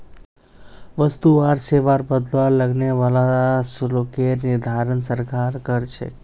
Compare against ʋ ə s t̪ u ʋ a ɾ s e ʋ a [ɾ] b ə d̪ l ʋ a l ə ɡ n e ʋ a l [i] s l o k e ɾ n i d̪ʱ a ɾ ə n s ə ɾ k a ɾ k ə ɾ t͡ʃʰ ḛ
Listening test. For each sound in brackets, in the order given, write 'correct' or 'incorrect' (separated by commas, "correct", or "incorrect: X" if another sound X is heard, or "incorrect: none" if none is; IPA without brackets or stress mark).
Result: correct, incorrect: a